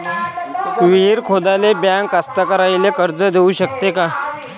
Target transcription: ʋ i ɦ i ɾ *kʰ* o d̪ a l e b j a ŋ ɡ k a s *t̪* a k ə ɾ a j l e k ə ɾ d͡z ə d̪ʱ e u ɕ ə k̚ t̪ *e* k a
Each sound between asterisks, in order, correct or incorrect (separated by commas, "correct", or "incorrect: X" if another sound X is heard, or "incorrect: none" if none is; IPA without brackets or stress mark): correct, correct, correct